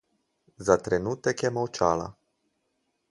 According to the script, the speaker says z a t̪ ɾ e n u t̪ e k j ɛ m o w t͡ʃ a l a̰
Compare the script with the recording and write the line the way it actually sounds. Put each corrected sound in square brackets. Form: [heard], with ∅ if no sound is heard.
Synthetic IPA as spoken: z a t̪ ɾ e n u t̪ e k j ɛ m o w t͡ʃ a l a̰